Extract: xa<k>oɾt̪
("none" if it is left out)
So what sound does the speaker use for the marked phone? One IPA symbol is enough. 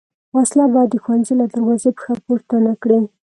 p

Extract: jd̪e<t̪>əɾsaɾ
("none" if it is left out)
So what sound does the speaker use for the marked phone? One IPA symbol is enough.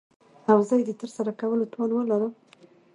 t̪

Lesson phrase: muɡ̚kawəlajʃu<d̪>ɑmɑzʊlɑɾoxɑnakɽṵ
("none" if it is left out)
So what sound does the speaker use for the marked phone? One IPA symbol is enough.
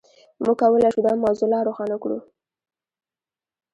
d̪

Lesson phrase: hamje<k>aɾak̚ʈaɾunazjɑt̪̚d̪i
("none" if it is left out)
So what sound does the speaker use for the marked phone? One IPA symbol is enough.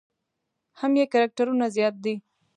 k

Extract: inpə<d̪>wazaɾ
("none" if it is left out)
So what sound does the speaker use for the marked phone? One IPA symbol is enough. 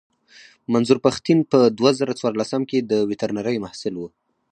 d̪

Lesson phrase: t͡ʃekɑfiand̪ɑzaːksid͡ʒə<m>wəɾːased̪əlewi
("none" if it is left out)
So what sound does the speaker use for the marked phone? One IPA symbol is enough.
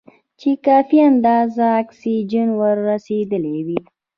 n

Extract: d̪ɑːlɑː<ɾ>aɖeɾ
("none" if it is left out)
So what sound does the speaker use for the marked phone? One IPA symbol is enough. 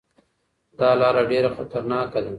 ɾ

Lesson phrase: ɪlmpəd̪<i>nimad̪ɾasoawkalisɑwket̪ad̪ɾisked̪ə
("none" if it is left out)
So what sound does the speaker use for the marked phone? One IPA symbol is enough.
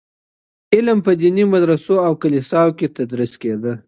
i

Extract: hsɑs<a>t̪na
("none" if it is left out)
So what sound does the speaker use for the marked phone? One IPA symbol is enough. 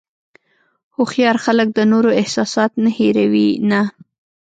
ɑ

